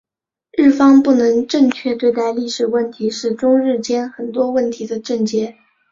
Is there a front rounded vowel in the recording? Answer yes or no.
no